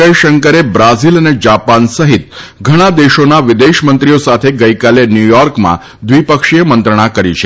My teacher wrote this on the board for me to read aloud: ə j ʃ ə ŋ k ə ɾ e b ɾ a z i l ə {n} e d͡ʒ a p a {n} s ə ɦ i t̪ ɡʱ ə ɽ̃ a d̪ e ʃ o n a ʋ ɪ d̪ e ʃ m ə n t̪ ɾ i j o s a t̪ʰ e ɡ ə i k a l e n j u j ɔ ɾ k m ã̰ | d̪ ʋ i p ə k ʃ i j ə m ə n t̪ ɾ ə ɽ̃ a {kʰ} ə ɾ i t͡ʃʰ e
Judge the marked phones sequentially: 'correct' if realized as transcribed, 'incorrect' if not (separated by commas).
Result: correct, correct, incorrect